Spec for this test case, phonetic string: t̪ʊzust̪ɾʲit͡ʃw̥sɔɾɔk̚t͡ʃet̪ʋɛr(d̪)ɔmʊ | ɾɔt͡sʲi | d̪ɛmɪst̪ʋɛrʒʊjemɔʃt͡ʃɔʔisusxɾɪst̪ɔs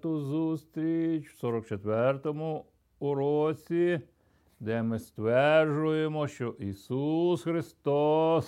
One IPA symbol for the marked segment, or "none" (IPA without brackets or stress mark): t̪